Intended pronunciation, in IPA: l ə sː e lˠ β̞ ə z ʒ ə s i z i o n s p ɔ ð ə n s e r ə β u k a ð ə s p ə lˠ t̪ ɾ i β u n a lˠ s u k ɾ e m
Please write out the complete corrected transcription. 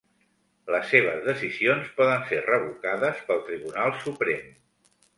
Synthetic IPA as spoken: l ə sː e β̞ ə z ð ə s i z i o n s p ɔ ð ə n s e r ə β u k a ð ə s p ə lˠ t̪ ɾ i β u n a lˠ s u p ɾ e m